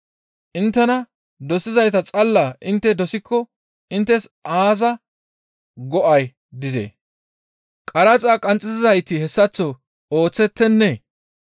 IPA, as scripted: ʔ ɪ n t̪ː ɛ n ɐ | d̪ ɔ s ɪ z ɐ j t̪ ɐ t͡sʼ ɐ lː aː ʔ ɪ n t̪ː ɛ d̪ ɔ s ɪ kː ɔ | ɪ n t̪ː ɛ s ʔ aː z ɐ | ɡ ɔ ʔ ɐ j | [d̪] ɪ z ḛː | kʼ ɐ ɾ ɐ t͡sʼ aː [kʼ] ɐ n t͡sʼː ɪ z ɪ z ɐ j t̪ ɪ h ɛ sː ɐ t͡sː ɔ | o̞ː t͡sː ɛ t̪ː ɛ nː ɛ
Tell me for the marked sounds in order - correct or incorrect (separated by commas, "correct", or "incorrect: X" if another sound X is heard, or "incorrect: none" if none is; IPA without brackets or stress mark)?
correct, correct